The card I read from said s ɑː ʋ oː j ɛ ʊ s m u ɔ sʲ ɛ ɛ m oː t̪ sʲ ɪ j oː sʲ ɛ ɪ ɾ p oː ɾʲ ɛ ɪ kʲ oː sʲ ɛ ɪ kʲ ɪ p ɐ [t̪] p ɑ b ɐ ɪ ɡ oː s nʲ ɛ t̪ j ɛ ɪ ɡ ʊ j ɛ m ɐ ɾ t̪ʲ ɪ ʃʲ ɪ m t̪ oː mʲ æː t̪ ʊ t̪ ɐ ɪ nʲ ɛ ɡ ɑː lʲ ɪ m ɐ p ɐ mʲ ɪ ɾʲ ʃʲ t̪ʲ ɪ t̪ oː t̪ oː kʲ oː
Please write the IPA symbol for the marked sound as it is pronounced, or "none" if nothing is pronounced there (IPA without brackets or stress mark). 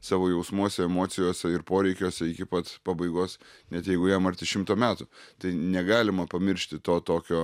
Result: t̪